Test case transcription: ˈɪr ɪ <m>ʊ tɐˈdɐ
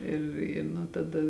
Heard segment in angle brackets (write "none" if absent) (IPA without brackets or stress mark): n